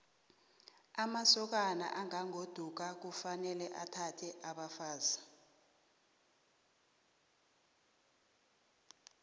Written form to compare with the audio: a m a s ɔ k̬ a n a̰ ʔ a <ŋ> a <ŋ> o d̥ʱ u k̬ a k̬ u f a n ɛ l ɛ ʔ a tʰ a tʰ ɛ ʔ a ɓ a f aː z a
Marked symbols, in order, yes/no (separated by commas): yes, yes